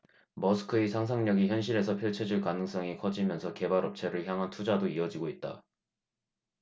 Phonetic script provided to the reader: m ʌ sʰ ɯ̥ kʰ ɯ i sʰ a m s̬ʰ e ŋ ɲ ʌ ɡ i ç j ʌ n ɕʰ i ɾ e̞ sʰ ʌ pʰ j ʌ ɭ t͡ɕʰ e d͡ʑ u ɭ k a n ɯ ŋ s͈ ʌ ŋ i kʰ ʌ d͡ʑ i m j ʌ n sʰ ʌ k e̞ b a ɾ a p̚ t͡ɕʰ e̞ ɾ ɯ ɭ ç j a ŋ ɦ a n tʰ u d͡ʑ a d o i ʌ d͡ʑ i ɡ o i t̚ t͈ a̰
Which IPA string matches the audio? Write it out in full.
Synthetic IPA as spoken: m ʌ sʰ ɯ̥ kʰ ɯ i sʰ a ŋ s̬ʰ a ŋ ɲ ʌ ɡ i ç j ʌ n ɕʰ i ɾ e̞ sʰ ʌ pʰ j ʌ ɭ t͡ɕʰ e d͡ʑ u ɭ k a n ɯ ŋ s͈ ʌ ŋ i kʰ ʌ d͡ʑ i m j ʌ n sʰ ʌ k e̞ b a ɾ ʌ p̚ t͡ɕʰ e̞ ɾ ɯ ɭ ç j a ŋ ɦ a n tʰ u d͡ʑ a d o i ʌ d͡ʑ i ɡ o i t̚ t͈ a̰

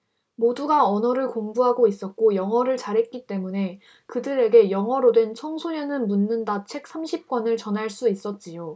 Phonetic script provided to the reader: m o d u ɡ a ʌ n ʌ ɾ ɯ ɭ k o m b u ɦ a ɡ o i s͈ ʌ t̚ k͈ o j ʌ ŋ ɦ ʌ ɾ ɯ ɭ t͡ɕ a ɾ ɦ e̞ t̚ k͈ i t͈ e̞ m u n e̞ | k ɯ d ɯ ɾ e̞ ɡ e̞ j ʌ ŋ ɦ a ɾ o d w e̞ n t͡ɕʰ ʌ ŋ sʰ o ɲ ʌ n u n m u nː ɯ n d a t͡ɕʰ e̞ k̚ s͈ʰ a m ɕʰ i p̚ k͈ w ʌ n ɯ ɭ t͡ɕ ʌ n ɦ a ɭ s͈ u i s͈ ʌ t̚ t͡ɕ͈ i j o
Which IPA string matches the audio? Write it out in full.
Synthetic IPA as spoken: m o d u ɡ a ʌ n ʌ ɾ ɯ ɭ k o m b u ɦ a ɡ o i s͈ ʌ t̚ k͈ o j ʌ ŋ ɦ ʌ ɾ ɯ ɭ t͡ɕ a ɾ ɦ e̞ t̚ k͈ i t͈ e̞ m u n e̞ | k ɯ d ɯ ɾ e̞ ɡ e̞ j ʌ ŋ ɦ ʌ ɾ o d w e̞ n t͡ɕʰ ʌ ŋ sʰ o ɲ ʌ n ɯ n m u nː ɯ n d a t͡ɕʰ e̞ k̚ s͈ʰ a m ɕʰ i p̚ k͈ w ʌ n ɯ ɭ t͡ɕ ʌ n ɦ a ɭ s͈ u i s͈ ʌ t̚ t͡ɕ͈ i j o

